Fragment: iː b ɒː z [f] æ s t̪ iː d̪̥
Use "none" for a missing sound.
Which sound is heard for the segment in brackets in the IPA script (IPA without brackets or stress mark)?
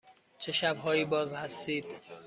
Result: h